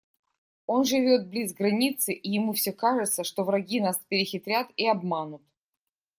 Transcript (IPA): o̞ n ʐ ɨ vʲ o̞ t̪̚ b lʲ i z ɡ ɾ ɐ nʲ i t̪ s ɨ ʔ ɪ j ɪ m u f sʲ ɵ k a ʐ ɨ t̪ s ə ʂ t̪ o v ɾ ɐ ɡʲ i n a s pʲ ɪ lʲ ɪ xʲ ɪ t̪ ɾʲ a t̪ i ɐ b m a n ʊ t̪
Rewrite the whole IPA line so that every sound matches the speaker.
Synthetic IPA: o̞ n ʐ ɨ vʲ o̞ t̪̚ b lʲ i z ɡ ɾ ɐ nʲ i t̪ s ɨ ʔ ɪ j ɪ m u f sʲ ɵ k a ʐ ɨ t̪ s ə ʂ t̪ o v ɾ ɐ ɡʲ i n a s pʲ ɪ ɾʲ ɪ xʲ ɪ t̪ ɾʲ a t̪ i ɐ b m a n ʊ t̪